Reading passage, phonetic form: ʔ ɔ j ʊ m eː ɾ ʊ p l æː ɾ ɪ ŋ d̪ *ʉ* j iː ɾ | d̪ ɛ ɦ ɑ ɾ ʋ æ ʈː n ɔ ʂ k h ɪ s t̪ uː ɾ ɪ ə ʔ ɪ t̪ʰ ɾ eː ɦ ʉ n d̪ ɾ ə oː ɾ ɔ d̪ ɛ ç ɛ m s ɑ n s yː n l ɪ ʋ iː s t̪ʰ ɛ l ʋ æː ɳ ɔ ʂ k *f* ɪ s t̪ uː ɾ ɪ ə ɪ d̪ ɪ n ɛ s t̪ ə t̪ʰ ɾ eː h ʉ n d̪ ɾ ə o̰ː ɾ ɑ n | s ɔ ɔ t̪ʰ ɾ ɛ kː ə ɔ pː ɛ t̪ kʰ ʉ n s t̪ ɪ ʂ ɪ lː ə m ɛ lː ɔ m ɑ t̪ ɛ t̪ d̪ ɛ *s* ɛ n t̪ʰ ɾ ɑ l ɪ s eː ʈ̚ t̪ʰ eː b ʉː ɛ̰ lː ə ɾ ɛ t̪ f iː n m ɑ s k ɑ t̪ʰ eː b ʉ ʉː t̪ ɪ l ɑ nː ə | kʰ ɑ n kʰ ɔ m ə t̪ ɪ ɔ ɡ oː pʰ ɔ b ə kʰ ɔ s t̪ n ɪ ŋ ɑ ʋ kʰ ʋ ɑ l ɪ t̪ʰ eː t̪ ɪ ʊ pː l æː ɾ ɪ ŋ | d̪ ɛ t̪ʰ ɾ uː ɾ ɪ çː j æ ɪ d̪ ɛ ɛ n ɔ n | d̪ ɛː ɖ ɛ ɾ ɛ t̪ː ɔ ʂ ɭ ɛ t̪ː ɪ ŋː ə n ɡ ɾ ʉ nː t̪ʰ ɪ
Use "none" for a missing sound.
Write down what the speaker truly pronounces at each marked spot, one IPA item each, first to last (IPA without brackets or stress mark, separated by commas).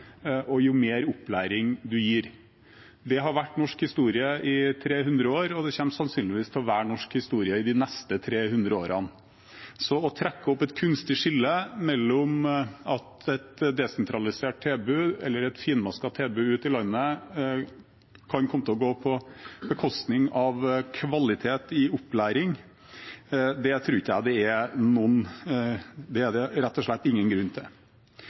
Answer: ʉ, h, s